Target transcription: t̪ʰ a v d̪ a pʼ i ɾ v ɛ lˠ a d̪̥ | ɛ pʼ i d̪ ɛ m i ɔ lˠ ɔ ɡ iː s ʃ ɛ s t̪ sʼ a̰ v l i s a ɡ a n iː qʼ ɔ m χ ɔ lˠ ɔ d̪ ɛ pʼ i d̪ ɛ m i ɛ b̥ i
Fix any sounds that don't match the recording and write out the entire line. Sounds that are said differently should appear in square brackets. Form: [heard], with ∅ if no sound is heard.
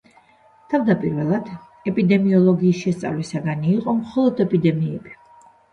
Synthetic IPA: t̪ʰ a v d̪ a pʼ i ɾ v ɛ lˠ a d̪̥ | ɛ pʼ i d̪ ɛ m i ɔ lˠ ɔ ɡ iː s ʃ ɛ s t̪ sʼ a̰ v l i s a ɡ a n iː qʼ ɔ m χ ɔ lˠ ɔ d̪ ɛ pʼ i d̪ ɛ m i ɛ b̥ i